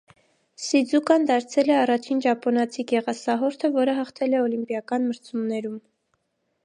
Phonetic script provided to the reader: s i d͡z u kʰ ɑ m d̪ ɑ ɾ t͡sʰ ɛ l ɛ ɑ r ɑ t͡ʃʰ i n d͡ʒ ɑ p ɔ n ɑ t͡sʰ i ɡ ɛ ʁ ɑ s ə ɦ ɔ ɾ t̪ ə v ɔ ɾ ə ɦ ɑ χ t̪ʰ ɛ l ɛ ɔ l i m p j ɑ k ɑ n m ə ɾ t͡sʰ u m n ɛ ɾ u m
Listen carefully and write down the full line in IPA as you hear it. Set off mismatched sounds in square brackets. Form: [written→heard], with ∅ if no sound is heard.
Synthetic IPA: s i d͡z u [kʰ→k] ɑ [m→n] d̪ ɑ ɾ t͡sʰ ɛ l ɛ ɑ r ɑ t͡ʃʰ i n d͡ʒ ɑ p ɔ n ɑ t͡sʰ i ɡ ɛ ʁ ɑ s [ə→ɑ] ɦ ɔ ɾ [t̪→t̪ʰ] ə v ɔ ɾ ə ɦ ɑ χ t̪ʰ ɛ l ɛ ɔ l i m p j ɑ k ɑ n m ə ɾ t͡sʰ u m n ɛ ɾ u m